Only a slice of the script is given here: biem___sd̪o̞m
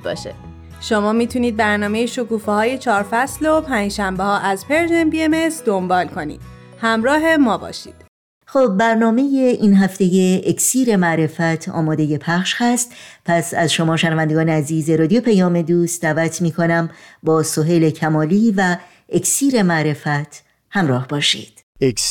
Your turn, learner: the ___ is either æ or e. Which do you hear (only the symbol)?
e